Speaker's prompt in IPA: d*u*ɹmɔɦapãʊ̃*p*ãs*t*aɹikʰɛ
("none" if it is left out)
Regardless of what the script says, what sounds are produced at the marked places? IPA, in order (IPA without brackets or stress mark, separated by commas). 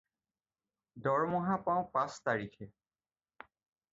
ɔ, p, t